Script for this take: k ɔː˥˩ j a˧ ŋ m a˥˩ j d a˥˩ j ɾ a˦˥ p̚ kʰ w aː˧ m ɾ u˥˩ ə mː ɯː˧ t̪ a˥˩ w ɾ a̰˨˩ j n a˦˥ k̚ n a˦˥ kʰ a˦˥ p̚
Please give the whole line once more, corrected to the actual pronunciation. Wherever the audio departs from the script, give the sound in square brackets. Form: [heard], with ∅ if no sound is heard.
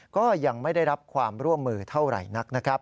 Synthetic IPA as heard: k ɔː˥˩ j a˧ ŋ m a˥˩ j d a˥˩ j ɾ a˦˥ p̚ kʰ w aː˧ m ɾ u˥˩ ə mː ɯː˧ [t̪ʰ] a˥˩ w ɾ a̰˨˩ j n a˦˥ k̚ n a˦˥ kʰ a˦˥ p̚